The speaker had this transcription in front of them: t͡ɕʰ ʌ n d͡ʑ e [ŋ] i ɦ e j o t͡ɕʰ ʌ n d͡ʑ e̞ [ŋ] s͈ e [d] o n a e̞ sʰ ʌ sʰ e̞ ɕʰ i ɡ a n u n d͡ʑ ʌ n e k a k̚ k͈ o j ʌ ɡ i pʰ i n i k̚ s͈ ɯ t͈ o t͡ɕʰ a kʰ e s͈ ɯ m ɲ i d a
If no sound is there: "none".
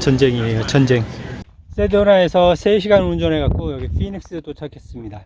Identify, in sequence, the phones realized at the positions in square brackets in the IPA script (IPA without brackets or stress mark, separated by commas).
ŋ, ŋ, d